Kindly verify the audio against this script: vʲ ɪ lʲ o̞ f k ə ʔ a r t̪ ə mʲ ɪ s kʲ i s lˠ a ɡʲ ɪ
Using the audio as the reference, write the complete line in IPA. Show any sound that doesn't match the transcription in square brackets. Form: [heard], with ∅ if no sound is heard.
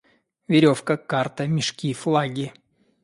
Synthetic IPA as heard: vʲ ɪ [ɾʲ] o̞ f k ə [k] a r t̪ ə mʲ ɪ [ʂ] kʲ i [f] lˠ a ɡʲ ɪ